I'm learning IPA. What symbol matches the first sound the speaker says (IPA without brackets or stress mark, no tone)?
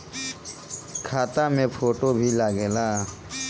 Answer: kʰ